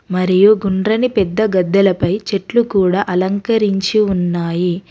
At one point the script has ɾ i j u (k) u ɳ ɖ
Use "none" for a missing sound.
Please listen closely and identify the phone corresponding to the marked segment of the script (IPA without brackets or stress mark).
ɡ